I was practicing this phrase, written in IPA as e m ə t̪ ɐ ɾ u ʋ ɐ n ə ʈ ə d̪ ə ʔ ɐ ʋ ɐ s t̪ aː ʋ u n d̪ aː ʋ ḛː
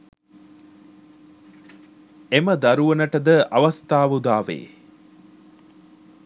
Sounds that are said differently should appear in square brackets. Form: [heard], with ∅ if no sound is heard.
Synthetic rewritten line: e m ə [d̪] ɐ ɾ u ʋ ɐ n ə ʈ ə d̪ ə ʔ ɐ ʋ ɐ s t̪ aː ʋ u [∅] d̪ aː ʋ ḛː